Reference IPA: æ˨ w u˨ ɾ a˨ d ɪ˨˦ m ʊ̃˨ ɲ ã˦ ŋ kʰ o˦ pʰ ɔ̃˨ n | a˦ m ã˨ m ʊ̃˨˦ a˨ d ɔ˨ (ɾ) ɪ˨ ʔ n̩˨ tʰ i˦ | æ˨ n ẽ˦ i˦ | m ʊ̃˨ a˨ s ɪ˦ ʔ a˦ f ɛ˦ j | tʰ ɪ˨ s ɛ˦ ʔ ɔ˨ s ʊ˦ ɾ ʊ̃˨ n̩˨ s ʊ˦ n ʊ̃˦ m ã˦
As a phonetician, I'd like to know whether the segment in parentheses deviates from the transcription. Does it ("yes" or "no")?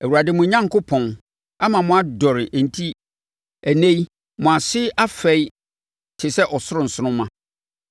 no